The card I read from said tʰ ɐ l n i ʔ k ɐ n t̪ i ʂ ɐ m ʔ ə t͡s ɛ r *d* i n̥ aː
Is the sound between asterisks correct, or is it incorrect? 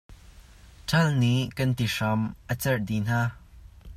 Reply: correct